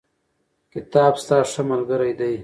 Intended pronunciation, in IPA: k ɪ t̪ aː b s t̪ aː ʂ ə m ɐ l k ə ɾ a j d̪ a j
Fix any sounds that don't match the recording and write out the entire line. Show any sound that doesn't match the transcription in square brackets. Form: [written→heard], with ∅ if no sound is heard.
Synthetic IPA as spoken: k ɪ t̪ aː b s t̪ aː ʂ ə m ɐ l [k→ɡ] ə ɾ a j d̪ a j

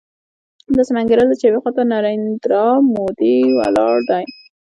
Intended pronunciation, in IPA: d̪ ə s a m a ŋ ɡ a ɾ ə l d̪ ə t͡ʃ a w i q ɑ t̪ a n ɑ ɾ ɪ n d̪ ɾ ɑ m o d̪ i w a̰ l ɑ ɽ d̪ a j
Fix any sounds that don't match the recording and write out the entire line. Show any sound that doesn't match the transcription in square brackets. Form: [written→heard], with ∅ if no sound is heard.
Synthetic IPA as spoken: d̪ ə s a m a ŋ ɡ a ɾ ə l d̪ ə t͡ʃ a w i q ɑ t̪ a n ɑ ɾ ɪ n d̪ ɾ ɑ m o d̪ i w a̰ l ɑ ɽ d̪ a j

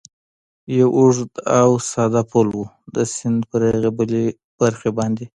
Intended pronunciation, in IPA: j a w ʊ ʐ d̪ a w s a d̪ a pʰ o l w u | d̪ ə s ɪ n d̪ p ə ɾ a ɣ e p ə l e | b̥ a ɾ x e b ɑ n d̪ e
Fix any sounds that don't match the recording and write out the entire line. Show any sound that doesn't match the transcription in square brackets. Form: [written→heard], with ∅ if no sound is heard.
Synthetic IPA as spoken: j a w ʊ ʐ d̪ a w s [a→ɑ] d̪ a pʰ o l w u | d̪ ə s ɪ n d̪ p ə ɾ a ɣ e [p→b] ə l e | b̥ a ɾ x e b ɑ n d̪ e

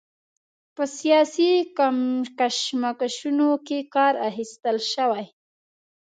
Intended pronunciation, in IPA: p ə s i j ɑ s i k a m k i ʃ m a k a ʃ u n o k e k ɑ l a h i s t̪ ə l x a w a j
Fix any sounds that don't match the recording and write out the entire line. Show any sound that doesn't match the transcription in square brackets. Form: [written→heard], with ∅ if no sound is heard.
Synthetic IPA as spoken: p ə s i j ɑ s i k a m k [i→a] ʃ m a k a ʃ u n o k e k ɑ [l→ɾ] a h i s t̪ ə l [x→ʃ] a w a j

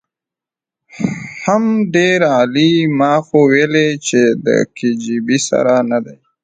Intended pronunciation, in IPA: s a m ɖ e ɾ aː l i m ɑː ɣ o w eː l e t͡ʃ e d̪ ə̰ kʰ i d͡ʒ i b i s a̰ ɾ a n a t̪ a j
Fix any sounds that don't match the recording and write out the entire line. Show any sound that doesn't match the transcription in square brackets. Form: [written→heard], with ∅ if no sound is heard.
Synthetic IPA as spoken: [s→h] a m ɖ e ɾ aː l i m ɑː [ɣ→x] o w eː l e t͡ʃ e d̪ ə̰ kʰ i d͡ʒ i b i s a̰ ɾ a n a [t̪→d̪] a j

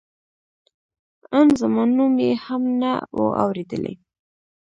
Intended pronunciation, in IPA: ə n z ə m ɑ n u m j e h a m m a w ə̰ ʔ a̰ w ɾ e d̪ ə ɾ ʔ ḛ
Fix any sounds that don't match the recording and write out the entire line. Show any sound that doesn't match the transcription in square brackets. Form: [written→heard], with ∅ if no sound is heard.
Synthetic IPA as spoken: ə n z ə m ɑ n u m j e h a m [m→n] a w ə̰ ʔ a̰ w ɾ e d̪ ə [ɾ→l] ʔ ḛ

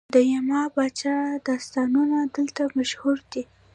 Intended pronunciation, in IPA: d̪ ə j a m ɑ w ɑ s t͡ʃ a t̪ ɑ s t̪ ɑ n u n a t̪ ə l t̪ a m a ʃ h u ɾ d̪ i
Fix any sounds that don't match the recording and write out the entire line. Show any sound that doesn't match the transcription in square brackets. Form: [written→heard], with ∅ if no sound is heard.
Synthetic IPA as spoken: d̪ ə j a m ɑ [w→b] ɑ [s→∅] t͡ʃ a [t̪→d̪] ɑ s t̪ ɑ n u n a [t̪→d̪] ə l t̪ a m a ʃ h u ɾ d̪ i

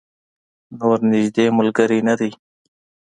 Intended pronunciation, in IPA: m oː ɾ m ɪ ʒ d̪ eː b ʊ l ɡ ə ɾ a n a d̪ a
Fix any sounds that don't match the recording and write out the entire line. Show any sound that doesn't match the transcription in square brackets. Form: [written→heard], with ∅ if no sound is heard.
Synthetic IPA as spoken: [m→n] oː ɾ [m→n] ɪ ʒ d̪ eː [b→m] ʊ l ɡ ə ɾ [a→i] n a d̪ [a→i]

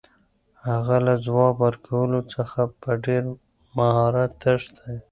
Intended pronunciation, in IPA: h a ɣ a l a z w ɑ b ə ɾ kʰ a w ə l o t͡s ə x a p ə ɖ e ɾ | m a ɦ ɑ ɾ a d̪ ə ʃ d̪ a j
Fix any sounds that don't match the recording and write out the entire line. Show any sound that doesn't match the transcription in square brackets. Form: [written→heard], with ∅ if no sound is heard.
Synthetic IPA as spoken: h a ɣ a l a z w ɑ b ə ɾ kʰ a w ə l o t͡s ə x a p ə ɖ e ɾ | m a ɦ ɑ ɾ a [d̪→t̪] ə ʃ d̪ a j

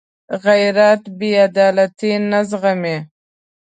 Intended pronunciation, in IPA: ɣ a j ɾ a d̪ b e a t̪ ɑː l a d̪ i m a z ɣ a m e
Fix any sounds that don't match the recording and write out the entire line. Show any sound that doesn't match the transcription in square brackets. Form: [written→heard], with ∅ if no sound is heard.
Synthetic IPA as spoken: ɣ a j ɾ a [d̪→t̪] b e a [t̪→d̪] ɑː l a [d̪→t̪] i [m→n] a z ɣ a m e

